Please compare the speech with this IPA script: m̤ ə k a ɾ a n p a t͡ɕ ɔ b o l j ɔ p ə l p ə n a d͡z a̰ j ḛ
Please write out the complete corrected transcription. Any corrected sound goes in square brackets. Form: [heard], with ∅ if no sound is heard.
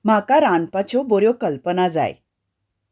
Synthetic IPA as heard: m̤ [a] k a ɾ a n p a t͡ɕ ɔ b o [ɾ] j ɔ [k] ə l p ə n a d͡z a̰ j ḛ